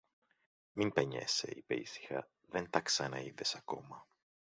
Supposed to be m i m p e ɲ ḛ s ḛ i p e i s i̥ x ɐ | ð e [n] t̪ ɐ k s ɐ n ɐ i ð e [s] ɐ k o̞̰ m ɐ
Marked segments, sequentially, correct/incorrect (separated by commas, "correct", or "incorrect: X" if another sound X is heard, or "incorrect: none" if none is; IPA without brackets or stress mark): correct, correct